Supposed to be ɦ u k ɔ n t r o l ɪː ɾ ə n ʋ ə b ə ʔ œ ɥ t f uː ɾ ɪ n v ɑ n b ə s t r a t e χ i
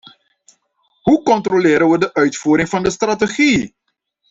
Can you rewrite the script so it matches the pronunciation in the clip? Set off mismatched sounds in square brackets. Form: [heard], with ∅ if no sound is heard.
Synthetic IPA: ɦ u k ɔ n t r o l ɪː ɾ ə n ʋ ə [d] ə ʔ œ ɥ t f uː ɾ ɪ [ŋ] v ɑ n [d] ə s t r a t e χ i